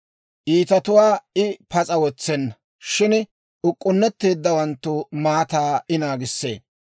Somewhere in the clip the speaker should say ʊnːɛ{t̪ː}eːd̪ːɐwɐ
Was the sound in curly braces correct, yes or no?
yes